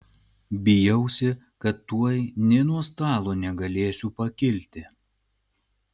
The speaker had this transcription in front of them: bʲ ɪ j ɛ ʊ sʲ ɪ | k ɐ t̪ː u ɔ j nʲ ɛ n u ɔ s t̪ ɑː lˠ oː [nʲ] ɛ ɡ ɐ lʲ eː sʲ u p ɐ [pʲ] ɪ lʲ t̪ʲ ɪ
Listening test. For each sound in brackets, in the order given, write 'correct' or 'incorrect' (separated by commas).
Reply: correct, incorrect